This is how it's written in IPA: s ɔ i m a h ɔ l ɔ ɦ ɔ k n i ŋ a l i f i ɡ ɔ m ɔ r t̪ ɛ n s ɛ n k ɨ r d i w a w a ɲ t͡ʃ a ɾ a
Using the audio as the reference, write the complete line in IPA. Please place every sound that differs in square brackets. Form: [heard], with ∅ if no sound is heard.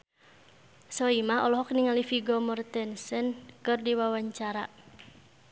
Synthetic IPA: s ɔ i m a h ɔ l ɔ ɦ ɔ k n i ŋ a l i f i ɡ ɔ m ɔ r t̪ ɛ n s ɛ n k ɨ r d i w a w a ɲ t͡ʃ a ɾ a